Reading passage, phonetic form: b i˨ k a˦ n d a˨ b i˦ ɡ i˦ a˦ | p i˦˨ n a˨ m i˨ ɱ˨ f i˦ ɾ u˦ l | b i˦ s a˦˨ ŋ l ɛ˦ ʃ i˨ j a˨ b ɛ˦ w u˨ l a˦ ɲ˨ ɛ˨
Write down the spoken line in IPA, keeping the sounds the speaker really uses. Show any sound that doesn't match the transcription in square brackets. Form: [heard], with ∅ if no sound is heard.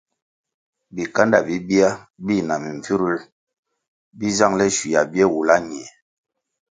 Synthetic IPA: b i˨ k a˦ n d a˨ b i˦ [b] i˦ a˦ | [b] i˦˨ n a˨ m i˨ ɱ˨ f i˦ ɾ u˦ l | b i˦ [z] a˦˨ ŋ l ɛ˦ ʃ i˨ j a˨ b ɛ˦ w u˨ l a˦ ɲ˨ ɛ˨